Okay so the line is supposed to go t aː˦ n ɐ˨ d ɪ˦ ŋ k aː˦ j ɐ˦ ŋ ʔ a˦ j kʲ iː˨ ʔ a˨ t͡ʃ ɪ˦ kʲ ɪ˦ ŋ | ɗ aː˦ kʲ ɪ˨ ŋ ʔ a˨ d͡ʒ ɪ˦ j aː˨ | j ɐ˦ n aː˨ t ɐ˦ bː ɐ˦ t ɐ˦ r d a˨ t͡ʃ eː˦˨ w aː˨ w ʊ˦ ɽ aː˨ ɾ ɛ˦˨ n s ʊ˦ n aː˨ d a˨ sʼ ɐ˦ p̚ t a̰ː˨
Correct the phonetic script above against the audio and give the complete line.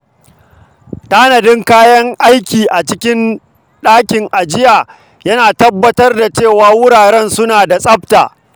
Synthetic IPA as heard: t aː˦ n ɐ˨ d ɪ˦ ŋ k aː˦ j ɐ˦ ŋ ʔ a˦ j kʲ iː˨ ʔ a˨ t͡ʃ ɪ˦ kʲ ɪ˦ n | ɗ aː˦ kʲ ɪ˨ ŋ ʔ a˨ d͡ʒ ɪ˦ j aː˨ | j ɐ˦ n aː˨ t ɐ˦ bː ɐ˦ t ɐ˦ r d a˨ t͡ʃ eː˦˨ w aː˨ w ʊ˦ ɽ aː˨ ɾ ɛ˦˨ n s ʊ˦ n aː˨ d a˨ sʼ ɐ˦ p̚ t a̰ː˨